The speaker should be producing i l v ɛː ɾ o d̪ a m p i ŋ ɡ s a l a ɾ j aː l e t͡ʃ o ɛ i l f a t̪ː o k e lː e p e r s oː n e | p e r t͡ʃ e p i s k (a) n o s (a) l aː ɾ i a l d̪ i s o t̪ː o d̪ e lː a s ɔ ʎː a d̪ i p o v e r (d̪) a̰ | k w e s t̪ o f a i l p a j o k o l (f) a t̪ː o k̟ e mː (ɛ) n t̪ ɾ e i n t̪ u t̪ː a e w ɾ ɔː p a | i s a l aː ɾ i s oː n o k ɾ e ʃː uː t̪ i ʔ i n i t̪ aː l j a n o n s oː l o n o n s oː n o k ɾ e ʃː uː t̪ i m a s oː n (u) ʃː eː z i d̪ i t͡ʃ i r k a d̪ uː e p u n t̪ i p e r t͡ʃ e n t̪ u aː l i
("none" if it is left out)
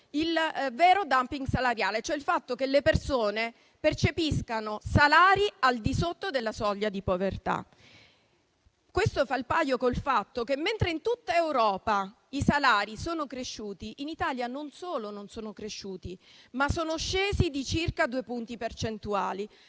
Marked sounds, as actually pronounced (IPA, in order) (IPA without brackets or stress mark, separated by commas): a, a, t̪, f, e, o